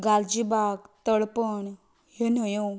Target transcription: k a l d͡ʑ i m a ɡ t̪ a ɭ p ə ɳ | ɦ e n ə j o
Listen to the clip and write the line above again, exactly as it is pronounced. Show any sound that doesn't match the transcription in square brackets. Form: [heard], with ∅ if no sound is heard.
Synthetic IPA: [ɡ] a l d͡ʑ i [b] a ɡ t̪ [ə] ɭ p ə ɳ | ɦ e n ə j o